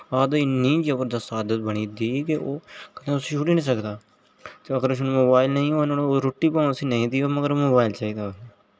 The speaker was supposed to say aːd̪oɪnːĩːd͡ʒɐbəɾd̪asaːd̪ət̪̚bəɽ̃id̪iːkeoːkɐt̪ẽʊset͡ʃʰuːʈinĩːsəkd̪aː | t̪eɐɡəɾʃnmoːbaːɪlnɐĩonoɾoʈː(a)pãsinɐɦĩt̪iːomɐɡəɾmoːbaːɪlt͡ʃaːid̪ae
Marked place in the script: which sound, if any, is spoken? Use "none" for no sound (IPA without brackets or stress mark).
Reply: i